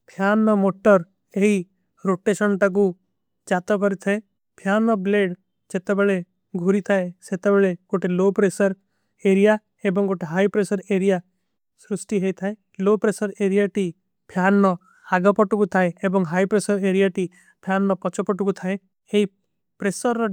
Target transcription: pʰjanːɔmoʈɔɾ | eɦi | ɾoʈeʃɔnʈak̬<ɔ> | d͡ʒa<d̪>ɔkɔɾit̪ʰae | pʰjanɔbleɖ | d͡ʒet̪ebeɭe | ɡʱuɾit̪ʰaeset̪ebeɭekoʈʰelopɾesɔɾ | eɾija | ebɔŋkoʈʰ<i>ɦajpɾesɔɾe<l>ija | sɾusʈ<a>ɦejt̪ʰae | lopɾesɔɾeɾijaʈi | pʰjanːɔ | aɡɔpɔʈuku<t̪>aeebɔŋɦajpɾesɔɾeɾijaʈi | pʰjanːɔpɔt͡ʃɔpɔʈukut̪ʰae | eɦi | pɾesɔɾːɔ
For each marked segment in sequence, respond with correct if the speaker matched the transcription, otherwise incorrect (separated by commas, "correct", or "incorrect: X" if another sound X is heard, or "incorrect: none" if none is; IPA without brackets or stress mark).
incorrect: u, incorrect: t̪, incorrect: e, incorrect: ɾ, incorrect: i, incorrect: t̪ʰ